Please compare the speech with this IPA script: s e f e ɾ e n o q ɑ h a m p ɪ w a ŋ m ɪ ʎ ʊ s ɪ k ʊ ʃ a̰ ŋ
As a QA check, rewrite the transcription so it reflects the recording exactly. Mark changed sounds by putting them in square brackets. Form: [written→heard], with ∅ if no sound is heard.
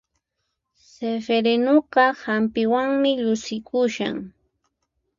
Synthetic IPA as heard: s e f e ɾ e n o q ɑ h a m p ɪ w a ŋ m ɪ ʎ ʊ s ɪ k ʊ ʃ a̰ ŋ